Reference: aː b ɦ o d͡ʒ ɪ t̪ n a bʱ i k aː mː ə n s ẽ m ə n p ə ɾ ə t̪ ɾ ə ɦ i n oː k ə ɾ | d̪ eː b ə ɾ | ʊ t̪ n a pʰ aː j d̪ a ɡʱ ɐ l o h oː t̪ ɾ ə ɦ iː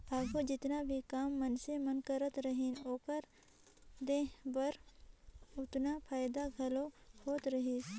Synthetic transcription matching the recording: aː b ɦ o d͡ʒ ɪ t̪ n a bʱ i k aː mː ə n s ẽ m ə n k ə ɾ ə t̪ ɾ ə ɦ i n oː k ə ɾ | d̪ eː b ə ɾ | ʊ t̪ n a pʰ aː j d̪ a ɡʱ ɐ l o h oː t̪ ɾ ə ɦ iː